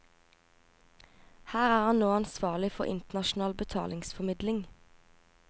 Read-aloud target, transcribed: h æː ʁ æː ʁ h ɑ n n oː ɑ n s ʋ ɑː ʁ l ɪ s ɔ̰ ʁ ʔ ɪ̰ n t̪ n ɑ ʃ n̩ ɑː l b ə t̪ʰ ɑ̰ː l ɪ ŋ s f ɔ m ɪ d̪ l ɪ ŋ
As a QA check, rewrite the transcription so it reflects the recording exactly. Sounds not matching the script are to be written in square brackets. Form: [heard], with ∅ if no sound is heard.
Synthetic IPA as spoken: h æː ʁ æː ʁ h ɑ n n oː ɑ n s ʋ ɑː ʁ l ɪ [f] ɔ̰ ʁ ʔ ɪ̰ n t̪ n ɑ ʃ n̩ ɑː l b ə t̪ʰ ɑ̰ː l ɪ ŋ s f ɔ m ɪ d̪ l ɪ ŋ